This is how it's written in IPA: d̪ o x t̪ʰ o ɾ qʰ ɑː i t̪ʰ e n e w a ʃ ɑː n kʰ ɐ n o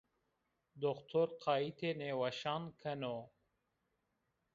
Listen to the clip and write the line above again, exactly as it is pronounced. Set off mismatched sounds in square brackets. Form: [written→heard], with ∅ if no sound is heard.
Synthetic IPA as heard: d̪ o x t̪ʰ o ɾ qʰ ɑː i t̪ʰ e n e w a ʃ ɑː n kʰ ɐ n o